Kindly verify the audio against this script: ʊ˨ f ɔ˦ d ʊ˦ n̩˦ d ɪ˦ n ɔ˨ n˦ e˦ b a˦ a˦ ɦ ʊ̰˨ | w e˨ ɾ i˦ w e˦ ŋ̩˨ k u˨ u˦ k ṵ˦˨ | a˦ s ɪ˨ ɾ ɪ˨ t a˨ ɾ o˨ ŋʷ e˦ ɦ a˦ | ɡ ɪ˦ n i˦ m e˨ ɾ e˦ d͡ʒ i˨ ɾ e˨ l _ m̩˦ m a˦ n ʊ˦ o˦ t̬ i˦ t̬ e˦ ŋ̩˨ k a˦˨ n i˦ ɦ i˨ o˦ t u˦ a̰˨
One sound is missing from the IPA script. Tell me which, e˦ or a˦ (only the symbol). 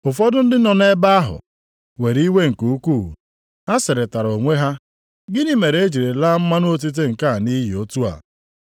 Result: a˦